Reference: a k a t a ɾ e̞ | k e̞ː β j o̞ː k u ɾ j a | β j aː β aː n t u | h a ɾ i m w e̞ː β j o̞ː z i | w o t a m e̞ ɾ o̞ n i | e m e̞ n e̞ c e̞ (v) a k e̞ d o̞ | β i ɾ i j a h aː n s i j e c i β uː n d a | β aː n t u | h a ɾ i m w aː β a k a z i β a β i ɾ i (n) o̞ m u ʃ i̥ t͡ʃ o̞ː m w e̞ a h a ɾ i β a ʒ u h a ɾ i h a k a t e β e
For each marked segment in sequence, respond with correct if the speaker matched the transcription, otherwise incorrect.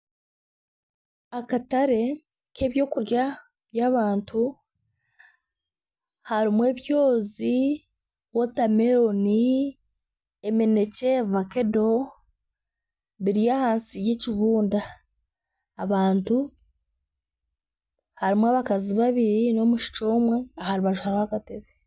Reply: correct, correct

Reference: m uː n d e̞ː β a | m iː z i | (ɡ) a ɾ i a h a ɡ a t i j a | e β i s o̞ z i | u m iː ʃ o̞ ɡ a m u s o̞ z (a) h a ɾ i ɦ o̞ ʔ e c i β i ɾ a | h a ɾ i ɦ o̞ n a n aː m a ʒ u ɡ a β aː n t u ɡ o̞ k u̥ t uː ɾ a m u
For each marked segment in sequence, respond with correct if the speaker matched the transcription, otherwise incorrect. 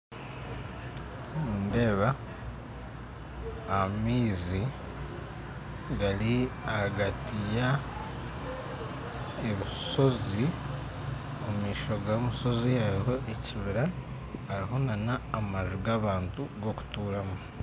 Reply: correct, incorrect: i

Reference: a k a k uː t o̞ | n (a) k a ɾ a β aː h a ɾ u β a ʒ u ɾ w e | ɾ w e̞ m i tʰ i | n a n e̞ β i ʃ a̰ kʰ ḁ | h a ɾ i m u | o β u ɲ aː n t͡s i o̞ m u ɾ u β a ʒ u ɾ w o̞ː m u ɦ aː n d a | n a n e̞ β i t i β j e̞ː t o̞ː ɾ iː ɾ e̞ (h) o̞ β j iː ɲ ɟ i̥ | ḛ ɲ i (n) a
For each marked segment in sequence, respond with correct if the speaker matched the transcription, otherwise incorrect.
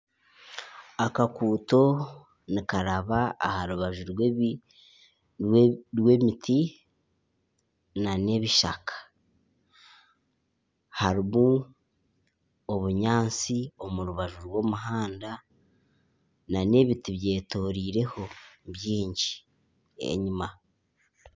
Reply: incorrect: i, correct, incorrect: m

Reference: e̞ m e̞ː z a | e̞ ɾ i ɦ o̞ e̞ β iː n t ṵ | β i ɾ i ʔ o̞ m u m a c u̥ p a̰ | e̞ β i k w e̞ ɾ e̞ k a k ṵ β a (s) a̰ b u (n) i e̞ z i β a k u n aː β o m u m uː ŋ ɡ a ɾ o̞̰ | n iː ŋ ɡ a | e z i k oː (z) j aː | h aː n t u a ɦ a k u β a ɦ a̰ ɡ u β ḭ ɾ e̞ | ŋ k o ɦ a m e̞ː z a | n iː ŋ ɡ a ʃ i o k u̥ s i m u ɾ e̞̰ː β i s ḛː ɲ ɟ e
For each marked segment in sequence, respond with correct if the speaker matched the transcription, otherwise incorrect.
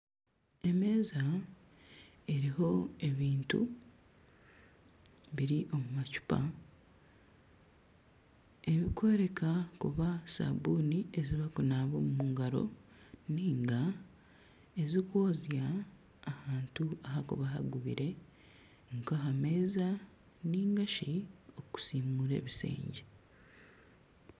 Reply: correct, correct, correct

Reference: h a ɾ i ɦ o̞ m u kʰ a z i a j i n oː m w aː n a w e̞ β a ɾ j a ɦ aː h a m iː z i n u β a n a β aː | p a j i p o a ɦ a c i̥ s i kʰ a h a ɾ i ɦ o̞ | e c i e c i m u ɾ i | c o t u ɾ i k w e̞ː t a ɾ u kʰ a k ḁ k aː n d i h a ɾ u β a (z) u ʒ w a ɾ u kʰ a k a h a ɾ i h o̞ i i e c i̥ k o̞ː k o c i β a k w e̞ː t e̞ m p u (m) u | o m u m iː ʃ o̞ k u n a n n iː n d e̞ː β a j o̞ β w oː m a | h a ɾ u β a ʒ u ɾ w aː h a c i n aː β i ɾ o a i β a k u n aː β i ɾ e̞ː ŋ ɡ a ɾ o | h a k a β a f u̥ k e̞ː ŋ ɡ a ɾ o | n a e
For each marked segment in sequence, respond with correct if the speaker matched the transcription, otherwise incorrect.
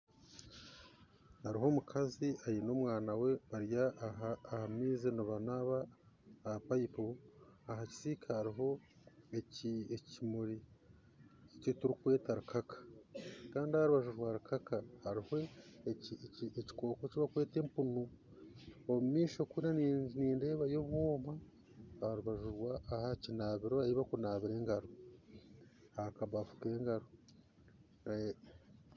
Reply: incorrect: ʒ, incorrect: n

